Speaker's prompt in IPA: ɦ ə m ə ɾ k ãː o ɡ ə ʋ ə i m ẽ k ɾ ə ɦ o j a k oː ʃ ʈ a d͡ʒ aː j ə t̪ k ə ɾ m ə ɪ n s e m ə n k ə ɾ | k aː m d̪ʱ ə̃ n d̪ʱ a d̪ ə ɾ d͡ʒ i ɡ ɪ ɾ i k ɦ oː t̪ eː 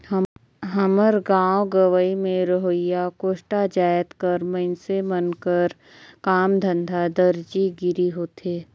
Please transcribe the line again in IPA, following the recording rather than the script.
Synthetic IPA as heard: ɦ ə m ə ɾ ɡ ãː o ɡ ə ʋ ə i m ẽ ɾ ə ɦ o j a k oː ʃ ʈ a d͡ʒ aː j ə t̪ k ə ɾ m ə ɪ n s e m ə n k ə ɾ | k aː m d̪ʱ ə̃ n d̪ʱ a d̪ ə ɾ d͡ʒ i ɡ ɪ ɾ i ɦ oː t̪ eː